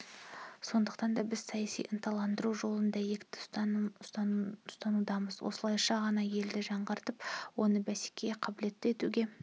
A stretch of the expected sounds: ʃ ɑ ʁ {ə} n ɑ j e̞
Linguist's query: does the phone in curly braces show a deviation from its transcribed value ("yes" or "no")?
yes